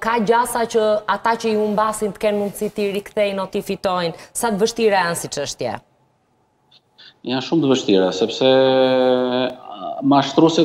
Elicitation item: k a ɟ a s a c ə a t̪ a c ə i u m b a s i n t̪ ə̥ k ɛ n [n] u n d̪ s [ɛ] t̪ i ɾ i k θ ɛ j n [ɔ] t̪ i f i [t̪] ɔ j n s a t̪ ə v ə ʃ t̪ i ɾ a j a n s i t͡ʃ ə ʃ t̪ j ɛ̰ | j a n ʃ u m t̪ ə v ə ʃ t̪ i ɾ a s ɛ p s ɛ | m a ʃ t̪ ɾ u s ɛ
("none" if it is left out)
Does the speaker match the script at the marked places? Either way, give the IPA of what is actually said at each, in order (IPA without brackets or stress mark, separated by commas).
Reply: m, i, ɔ, t̪